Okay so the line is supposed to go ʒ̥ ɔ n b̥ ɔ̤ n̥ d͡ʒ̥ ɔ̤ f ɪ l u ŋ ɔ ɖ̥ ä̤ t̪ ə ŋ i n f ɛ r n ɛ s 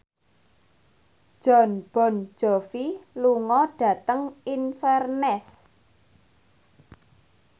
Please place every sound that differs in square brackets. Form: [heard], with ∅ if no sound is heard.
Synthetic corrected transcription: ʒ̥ ɔ n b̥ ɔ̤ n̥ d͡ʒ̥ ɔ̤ f [i] l u ŋ ɔ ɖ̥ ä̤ t̪ ə ŋ i n f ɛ r n ɛ s